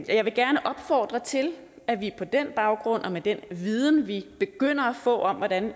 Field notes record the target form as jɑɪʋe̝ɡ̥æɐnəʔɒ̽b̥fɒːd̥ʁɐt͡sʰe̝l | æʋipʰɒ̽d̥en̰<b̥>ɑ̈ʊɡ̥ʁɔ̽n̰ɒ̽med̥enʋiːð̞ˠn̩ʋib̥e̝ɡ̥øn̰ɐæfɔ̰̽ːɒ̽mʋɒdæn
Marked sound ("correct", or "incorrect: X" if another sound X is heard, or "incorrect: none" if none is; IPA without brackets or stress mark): correct